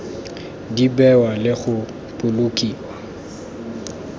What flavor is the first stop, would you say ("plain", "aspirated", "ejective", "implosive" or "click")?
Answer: plain